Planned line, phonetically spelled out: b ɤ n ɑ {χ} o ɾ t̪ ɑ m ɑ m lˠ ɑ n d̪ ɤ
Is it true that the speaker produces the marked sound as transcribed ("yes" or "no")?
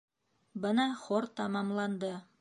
yes